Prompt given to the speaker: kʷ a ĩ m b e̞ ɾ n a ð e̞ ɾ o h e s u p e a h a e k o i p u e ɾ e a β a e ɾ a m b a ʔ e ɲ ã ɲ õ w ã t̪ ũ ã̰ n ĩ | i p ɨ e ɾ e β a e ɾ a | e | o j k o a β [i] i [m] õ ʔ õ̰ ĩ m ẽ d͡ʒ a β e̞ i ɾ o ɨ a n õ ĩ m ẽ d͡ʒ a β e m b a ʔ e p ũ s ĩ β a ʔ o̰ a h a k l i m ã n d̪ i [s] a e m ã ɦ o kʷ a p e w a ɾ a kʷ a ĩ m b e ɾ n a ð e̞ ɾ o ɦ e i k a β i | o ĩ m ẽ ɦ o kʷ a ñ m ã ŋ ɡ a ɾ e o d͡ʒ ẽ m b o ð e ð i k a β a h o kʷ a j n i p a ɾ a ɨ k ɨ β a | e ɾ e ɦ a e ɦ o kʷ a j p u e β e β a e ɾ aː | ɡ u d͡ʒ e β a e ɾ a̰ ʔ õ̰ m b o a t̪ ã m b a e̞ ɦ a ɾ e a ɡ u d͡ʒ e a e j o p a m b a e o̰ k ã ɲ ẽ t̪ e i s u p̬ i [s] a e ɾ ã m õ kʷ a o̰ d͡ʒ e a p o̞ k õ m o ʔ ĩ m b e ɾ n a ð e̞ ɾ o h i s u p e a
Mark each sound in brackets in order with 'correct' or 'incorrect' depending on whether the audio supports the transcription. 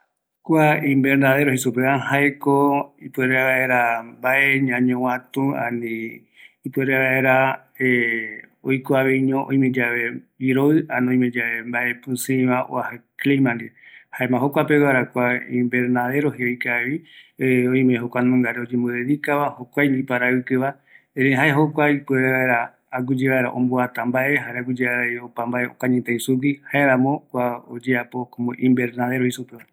incorrect, incorrect, incorrect, incorrect

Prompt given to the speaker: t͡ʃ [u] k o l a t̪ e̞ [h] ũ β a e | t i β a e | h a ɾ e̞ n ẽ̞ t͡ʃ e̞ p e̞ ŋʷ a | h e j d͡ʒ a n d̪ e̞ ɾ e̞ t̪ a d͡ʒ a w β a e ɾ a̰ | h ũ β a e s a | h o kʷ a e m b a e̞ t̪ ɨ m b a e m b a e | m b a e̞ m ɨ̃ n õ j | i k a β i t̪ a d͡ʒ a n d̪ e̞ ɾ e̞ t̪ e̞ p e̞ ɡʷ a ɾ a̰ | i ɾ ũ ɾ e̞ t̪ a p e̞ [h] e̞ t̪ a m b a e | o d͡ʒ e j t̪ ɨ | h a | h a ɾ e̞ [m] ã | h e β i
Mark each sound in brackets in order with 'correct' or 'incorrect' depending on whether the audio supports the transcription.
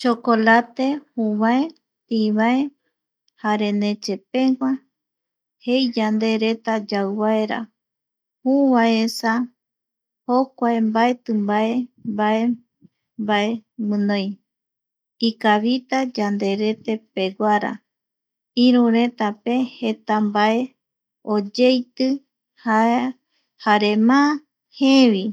incorrect, correct, correct, correct

